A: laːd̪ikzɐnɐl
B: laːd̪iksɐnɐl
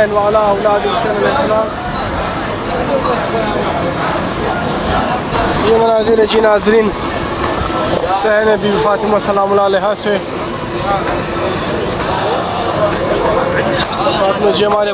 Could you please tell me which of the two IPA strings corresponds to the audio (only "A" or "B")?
B